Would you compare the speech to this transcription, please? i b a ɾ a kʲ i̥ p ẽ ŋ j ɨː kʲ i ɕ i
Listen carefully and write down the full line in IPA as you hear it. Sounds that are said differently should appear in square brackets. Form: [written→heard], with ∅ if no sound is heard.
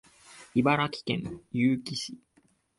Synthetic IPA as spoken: i b a ɾ a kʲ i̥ [p→k] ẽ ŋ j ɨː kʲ i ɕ i